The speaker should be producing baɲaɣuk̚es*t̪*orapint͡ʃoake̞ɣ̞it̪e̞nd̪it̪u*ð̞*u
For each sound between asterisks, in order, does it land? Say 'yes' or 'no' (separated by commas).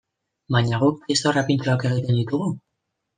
yes, no